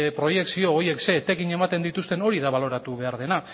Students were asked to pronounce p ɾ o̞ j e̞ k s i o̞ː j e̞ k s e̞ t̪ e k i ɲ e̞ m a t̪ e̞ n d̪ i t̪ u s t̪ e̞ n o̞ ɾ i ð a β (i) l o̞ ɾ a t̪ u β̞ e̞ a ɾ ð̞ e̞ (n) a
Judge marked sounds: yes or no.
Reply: no, yes

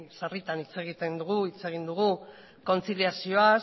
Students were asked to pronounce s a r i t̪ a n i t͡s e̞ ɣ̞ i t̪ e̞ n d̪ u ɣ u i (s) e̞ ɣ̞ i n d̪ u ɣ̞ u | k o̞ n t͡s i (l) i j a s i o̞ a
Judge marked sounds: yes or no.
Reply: no, yes

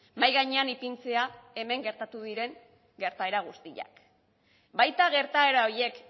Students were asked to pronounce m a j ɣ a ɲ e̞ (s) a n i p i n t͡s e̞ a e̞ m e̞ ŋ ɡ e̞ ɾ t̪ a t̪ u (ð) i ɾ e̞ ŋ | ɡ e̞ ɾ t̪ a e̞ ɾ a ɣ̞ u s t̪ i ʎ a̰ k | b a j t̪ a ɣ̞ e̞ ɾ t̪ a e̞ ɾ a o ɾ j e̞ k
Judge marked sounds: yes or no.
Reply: no, yes

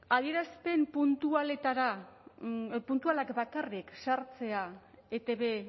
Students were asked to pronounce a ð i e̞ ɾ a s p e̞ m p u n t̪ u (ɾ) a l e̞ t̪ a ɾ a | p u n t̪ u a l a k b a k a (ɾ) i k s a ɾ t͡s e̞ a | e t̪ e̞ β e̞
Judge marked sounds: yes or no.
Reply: no, no

